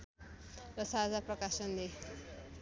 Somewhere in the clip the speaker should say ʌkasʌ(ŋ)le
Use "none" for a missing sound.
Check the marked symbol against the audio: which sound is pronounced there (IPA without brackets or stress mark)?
n